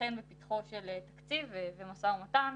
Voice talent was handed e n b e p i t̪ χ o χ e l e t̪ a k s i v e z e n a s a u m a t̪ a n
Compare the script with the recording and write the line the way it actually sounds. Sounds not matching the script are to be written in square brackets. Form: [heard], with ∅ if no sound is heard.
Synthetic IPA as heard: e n b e p i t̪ χ o [ʃ] e l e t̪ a k [t͡s] i v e [v] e [m] a s a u m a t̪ a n